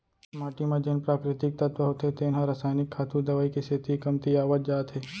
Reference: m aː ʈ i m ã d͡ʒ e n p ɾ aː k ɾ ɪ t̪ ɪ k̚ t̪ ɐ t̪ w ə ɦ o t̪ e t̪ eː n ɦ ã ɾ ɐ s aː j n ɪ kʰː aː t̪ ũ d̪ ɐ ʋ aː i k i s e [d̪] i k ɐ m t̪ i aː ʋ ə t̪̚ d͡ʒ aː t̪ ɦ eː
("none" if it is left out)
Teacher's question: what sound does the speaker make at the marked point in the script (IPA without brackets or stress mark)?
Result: t̪